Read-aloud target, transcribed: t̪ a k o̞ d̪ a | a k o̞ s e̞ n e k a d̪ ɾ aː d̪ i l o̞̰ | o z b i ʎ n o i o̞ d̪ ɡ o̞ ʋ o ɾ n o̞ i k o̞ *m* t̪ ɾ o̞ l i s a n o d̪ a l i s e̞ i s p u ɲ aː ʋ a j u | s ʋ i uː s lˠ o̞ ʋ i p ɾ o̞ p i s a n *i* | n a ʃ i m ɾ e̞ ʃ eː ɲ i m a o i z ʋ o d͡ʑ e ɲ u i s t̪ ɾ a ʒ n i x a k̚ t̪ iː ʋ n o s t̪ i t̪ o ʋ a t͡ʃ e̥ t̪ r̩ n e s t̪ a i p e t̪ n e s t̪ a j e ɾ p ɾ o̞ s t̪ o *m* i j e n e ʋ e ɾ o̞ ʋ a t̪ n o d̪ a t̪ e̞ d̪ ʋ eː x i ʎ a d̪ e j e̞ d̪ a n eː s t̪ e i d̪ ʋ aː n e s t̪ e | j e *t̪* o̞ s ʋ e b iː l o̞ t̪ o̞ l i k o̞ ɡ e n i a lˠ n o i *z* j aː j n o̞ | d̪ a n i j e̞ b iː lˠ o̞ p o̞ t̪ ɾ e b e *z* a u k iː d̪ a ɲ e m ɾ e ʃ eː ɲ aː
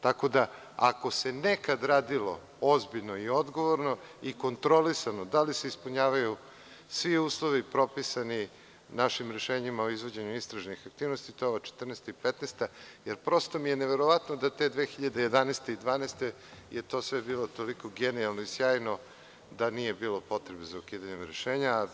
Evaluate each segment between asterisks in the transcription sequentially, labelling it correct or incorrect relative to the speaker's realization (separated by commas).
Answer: incorrect, correct, correct, correct, incorrect, correct